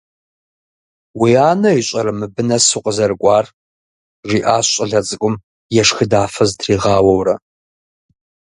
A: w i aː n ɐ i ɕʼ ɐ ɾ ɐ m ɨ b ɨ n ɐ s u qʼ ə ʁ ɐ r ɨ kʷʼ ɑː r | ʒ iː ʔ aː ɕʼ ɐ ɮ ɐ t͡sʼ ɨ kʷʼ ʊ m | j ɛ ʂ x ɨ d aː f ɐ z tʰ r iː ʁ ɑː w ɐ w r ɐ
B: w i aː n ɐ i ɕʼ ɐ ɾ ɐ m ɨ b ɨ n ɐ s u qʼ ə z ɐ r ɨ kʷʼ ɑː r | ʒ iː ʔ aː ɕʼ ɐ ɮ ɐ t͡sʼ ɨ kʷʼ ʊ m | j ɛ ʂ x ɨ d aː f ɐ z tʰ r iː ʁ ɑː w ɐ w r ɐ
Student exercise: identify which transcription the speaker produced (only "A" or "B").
B